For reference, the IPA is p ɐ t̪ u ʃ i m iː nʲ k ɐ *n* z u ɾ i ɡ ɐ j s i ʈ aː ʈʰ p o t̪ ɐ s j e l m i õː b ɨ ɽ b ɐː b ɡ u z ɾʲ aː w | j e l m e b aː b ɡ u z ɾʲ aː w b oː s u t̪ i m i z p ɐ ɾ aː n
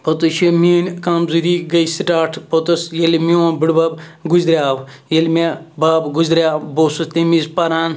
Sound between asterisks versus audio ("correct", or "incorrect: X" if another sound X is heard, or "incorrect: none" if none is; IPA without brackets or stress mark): incorrect: m